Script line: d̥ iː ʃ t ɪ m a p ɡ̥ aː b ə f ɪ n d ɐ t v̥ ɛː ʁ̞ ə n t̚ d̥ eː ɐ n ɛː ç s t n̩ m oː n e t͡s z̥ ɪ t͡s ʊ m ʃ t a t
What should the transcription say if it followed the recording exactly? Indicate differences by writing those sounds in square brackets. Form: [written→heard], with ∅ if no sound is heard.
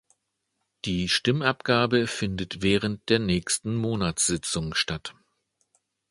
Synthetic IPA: d̥ iː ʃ t ɪ m a p ɡ̥ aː b ə f ɪ n d [ɐ→ə] t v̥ ɛː ʁ̞ ə n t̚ d̥ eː ɐ n ɛː ç s t n̩ m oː n [e→a] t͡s z̥ ɪ t͡s ʊ [m→ŋ] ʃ t a t